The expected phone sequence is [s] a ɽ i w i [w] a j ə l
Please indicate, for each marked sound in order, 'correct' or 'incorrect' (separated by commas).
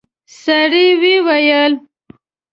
correct, correct